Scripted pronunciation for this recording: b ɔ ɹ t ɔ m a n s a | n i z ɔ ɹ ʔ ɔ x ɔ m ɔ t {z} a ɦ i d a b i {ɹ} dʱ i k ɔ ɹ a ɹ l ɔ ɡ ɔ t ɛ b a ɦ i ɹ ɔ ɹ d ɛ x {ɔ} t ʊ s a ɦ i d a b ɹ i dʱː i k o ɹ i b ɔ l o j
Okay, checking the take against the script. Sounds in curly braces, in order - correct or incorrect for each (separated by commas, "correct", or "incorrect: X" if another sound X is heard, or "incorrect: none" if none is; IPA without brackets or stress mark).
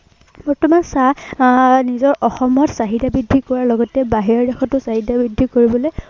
incorrect: s, incorrect: none, correct